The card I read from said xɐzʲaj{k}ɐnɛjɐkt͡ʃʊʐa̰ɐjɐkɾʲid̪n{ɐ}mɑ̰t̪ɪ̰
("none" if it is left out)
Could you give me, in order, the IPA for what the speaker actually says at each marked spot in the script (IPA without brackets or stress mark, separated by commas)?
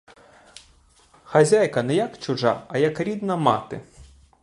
k, ɐ